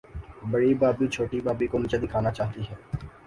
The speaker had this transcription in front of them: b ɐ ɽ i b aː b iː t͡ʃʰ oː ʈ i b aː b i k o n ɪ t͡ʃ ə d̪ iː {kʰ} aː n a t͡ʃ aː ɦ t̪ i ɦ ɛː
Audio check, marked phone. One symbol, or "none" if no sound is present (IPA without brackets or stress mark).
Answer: kʰ